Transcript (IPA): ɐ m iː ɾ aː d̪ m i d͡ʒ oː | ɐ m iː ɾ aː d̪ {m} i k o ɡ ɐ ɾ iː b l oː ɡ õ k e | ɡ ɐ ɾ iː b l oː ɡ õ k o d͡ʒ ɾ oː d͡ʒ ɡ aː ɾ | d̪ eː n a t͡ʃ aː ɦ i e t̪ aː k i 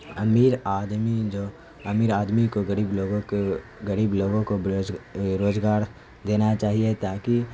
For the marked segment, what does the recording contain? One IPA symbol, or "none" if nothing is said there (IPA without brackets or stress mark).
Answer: m